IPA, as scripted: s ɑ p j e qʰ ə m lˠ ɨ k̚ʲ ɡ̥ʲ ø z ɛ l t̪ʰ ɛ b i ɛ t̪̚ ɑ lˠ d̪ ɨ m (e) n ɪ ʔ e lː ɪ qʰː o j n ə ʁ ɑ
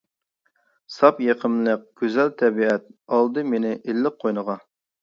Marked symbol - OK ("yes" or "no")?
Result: yes